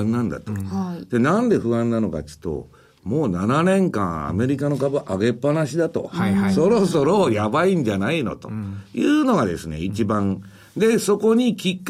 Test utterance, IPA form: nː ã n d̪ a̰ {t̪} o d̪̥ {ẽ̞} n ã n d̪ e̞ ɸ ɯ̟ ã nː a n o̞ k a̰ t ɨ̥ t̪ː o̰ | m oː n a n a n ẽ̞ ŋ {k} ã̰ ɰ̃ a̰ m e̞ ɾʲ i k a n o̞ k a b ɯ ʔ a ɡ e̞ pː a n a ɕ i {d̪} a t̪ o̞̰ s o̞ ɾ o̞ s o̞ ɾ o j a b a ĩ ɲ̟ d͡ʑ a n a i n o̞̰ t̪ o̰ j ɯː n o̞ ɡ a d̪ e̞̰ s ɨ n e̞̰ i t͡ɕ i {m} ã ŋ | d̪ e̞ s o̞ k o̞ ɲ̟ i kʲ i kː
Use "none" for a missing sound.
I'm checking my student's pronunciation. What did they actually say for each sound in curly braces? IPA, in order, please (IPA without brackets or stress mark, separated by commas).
t̪, e̞, k, d̪, b